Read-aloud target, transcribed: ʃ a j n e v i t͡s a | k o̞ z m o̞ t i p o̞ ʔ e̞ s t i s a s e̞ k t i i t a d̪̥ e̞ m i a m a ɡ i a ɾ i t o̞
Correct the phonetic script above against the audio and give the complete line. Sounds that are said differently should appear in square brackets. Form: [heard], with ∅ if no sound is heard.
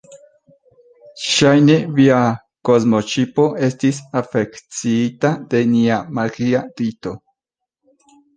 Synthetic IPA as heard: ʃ a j n e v i [∅] a | k o̞ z m o̞ [t͡ʃ] i p o̞ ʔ e̞ s t i s a [f] e̞ k [t͡s] i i t a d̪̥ e̞ [n] i a m a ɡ i a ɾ i t o̞